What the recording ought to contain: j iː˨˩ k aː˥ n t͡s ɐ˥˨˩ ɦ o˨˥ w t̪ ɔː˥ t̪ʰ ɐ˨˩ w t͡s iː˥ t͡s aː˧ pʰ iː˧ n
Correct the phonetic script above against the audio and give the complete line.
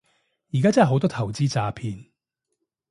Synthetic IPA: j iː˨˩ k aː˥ t͡s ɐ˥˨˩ ɦ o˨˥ w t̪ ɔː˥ t̪ʰ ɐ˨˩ w t͡s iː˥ t͡s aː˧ pʰ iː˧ n